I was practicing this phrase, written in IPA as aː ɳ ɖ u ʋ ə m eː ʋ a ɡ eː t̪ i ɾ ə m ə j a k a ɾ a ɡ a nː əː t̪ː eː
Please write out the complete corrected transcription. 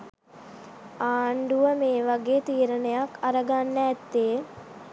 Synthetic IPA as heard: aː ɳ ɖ u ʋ ə m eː ʋ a ɡ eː t̪ iː ɾ ə n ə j a k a ɾ ə ɡ a nː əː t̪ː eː